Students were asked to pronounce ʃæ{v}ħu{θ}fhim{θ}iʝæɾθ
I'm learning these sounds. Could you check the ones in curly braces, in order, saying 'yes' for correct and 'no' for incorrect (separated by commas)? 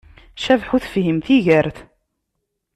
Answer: yes, yes, yes